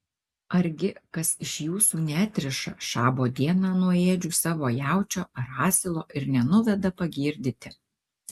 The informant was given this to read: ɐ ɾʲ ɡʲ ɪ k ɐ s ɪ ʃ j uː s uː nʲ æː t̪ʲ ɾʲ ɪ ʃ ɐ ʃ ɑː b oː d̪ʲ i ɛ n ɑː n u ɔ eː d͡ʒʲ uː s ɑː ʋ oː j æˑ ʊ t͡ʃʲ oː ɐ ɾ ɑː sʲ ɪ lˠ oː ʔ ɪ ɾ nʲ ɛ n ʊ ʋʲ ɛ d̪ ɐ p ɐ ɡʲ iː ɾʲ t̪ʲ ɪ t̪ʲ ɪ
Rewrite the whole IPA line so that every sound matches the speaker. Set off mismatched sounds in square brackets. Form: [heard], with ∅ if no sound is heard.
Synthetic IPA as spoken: ɐ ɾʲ ɡʲ ɪ k ɐ s ɪ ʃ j uː s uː nʲ æː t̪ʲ ɾʲ ɪ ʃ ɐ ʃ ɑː b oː d̪ʲ i ɛ n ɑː n u ɔ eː d͡ʒʲ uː s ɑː ʋ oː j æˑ ʊ t͡ʃʲ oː ɐ ɾ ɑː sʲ ɪ lˠ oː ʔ ɪ ɾ nʲ ɛ n ʊ ʋʲ ɛ d̪ ɐ p ɐ ɡʲ iː ɾʲ [d̪ʲ] ɪ t̪ʲ ɪ